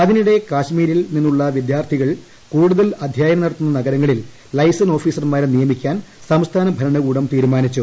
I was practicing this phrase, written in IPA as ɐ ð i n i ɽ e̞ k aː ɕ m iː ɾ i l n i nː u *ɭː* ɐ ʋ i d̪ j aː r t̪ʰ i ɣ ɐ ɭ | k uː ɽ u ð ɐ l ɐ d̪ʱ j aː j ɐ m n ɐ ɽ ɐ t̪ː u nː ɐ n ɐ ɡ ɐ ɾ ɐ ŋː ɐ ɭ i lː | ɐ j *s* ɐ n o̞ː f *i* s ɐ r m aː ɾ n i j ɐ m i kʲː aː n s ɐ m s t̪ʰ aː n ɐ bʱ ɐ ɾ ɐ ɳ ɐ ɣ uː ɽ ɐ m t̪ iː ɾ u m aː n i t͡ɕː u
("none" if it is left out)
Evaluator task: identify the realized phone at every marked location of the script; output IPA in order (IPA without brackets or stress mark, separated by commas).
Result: ɭː, s, iː